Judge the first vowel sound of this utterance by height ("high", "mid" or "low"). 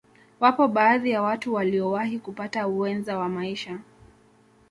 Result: low